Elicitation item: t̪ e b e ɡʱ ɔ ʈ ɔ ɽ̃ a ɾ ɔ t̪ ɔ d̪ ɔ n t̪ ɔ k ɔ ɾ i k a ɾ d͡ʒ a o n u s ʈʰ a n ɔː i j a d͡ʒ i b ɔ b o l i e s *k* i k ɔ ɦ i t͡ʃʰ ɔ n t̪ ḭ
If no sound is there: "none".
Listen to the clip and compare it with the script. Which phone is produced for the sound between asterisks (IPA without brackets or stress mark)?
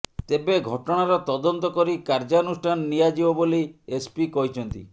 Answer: p